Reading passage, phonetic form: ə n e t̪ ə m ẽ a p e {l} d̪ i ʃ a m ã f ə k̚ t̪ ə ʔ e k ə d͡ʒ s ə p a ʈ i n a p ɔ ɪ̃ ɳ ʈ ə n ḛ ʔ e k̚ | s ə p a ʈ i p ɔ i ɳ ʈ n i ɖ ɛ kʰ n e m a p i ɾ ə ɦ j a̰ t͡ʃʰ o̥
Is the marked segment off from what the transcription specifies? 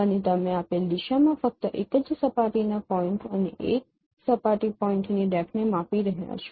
no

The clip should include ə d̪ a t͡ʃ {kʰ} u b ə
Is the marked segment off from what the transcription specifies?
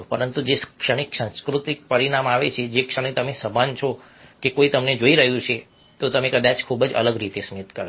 no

